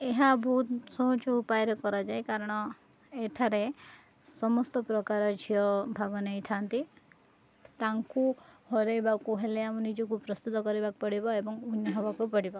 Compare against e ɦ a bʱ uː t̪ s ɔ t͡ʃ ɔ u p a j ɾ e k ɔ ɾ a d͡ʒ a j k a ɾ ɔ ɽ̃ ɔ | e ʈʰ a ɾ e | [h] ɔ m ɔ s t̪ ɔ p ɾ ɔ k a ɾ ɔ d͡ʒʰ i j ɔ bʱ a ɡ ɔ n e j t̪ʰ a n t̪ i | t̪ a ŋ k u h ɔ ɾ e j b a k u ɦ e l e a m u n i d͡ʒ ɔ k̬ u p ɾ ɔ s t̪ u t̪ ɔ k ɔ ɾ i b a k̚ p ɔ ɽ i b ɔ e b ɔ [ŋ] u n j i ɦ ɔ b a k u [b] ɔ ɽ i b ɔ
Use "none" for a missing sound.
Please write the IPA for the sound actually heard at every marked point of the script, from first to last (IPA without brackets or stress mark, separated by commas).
s, ŋ, p